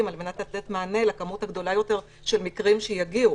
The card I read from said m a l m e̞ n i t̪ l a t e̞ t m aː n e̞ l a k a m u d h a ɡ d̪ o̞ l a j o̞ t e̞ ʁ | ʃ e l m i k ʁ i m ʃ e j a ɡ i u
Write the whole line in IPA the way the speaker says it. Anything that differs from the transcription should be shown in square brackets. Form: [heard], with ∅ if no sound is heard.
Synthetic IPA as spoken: m a l m e̞ n [a] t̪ l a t e̞ t m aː n e̞ l a k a m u [t] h a ɡ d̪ o̞ l a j o̞ t e̞ ʁ | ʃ e l m i k ʁ i m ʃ e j a ɡ i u

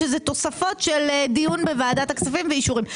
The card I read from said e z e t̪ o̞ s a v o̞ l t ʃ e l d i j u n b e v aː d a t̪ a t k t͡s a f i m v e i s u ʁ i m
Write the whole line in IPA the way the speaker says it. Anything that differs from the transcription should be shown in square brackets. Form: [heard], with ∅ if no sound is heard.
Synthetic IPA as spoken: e z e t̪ o̞ s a [f] o̞ [∅] t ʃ e l d i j u n b e v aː d a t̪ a [∅] k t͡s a f i m v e i [ʃ] u ʁ i m

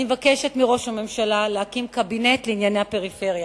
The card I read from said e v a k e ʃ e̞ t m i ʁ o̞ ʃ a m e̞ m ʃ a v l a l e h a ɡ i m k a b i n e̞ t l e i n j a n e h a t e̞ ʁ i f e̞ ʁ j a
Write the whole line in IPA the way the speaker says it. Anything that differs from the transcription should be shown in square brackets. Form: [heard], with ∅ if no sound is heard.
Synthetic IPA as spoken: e v a k e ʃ e̞ t m i ʁ o̞ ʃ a m e̞ m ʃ a [∅] l a l e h a [k] i m k a b i n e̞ t l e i n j a n e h a [p] e̞ ʁ i f e̞ ʁ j a

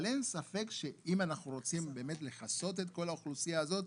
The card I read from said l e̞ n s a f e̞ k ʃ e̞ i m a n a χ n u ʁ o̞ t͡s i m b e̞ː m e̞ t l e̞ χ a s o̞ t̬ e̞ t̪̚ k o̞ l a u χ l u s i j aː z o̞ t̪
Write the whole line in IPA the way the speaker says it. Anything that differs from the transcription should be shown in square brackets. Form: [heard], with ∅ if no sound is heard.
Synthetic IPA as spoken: l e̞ n s a f e̞ k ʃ e̞ i m a n a χ n u ʁ o̞ t͡s i m b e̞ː m e̞ t l e̞ χ a s o̞ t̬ e̞ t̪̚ k o̞ l a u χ l u s i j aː z o̞ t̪

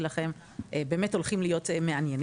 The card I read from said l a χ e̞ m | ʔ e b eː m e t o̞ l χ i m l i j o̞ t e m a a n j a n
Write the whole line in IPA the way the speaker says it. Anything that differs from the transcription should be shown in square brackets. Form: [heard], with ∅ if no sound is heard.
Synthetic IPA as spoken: l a χ e̞ m | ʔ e b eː m e t o̞ l χ i m l i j o̞ t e m [e] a n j [e] n

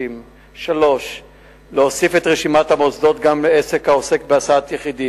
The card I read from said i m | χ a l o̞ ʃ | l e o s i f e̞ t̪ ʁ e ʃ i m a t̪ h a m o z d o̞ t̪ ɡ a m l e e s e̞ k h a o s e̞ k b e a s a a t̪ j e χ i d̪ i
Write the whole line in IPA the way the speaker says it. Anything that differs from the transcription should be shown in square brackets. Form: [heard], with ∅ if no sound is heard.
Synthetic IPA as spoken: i m | [ʃ] a l o̞ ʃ | l e o s i f e̞ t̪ ʁ e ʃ i m a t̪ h a m o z d o̞ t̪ ɡ a m l e e s e̞ k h a o s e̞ k b e a s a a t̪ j e χ i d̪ i

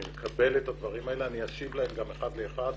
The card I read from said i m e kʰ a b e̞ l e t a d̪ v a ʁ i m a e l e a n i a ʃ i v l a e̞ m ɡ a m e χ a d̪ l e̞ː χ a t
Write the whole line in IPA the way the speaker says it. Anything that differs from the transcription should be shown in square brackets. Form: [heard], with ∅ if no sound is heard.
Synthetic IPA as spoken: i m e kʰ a b e̞ l e t a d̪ v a ʁ i m a e l e a n i a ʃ i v l a e̞ m ɡ a m e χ a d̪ l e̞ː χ a [d]

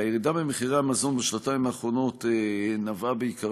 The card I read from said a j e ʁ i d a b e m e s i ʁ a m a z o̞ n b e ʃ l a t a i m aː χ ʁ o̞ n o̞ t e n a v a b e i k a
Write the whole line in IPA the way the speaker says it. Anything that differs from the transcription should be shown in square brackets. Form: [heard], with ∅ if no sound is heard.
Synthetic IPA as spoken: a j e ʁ i d a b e m e [χ] i ʁ a m a z o̞ n b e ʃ l a t a i m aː χ ʁ o̞ n o̞ t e n a v a b e i k a

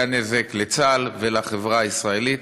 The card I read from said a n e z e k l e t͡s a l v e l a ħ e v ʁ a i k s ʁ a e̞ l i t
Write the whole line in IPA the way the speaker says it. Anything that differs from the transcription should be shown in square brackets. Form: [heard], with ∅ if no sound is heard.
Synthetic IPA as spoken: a n e z e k l e t͡s a l v e l a [χ] e v ʁ a i [∅] s ʁ a e̞ l i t

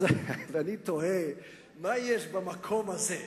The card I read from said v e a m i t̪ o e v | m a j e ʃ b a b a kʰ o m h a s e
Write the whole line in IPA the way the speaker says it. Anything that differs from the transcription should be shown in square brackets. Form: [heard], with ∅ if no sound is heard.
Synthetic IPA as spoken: v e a [n] i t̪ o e [∅] | m a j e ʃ b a [m] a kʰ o m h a [z] e

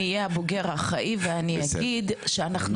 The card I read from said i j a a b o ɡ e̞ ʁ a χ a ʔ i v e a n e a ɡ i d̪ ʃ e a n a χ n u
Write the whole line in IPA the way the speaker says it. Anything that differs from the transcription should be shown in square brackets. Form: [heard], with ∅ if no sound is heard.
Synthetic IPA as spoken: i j [e] a b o ɡ e̞ ʁ a χ a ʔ i v e a n [i] a ɡ i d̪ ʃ e a n a χ n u

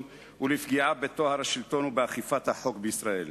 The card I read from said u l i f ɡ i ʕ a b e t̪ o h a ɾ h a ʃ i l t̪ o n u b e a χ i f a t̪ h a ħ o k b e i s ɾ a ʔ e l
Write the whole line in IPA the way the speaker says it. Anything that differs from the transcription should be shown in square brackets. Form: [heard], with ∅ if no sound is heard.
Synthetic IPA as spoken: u l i f ɡ i ʕ a b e t̪ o h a ɾ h a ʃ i l t̪ o n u b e a χ i f a t̪ h a ħ o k b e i s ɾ a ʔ e l

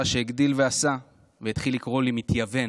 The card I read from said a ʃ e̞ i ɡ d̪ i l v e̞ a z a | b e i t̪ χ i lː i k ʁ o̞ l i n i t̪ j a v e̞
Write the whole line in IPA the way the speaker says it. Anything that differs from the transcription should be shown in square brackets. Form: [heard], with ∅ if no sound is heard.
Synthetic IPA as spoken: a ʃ e̞ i ɡ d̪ i l v e̞ a [s] a | [v] e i t̪ χ i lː i k ʁ o̞ l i [m] i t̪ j a v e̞

